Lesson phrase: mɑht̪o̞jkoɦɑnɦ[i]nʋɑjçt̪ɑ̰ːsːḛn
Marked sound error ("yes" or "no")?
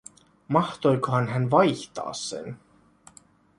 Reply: yes